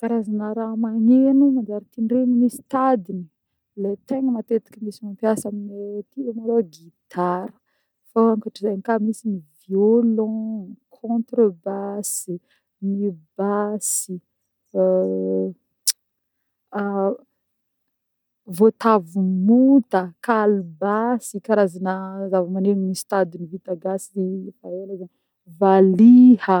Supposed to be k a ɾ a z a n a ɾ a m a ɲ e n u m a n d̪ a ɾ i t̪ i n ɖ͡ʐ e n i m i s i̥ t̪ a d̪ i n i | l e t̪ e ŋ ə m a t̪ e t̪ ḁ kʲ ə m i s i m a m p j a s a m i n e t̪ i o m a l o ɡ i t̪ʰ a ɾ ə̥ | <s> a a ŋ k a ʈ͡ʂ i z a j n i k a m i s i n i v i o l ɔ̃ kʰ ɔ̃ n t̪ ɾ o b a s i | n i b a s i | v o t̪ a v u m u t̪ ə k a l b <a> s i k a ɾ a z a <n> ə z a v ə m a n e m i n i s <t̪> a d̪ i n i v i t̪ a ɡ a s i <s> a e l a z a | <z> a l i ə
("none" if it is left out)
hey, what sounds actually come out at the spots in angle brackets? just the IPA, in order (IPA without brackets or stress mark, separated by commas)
f, a, n, t̪, f, v